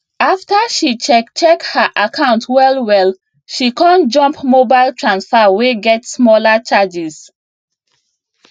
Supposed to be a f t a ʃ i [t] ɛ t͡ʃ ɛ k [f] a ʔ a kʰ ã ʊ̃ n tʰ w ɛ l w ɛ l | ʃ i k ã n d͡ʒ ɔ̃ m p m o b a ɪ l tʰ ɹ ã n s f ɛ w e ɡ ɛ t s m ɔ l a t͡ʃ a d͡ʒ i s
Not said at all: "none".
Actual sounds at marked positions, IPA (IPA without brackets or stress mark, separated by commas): t͡ʃ, h